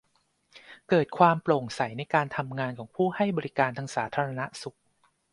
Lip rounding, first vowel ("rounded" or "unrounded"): unrounded